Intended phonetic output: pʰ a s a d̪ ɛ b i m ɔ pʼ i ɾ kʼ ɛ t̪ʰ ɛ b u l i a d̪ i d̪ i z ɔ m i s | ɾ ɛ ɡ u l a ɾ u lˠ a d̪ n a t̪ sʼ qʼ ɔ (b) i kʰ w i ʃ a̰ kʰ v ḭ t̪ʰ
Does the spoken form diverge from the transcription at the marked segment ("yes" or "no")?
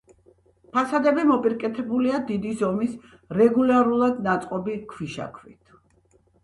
no